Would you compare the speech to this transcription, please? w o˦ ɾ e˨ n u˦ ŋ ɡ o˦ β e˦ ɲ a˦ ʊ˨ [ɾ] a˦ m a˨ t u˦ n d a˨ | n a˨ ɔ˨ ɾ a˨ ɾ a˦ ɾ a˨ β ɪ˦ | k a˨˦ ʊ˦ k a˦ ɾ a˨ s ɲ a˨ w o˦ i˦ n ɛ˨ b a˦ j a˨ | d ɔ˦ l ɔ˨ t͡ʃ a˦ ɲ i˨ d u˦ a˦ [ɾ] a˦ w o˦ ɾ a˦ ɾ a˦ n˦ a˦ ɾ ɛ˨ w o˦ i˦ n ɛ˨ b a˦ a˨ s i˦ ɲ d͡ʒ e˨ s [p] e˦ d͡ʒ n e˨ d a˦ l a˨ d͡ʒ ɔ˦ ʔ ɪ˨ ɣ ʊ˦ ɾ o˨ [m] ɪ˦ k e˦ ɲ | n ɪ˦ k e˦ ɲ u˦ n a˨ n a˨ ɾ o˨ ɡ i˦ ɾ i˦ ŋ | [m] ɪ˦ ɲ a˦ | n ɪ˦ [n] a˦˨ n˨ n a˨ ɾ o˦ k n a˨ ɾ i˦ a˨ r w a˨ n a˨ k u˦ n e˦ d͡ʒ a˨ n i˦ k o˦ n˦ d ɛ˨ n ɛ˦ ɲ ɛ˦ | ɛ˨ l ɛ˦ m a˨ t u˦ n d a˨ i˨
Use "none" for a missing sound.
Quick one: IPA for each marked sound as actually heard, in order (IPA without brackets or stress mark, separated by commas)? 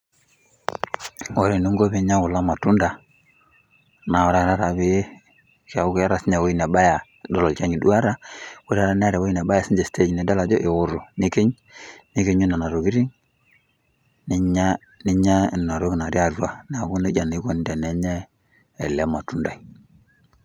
l, ɾ, t, n, n, ɲ